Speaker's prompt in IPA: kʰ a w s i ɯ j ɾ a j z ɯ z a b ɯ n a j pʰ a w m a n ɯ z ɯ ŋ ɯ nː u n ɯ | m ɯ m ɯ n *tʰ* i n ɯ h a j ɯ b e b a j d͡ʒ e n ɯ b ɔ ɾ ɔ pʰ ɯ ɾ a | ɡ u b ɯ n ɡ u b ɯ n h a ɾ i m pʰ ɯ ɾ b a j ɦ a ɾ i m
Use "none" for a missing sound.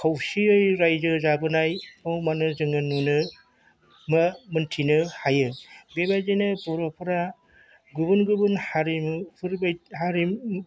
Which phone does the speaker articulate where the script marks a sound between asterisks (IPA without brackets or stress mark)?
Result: tʰ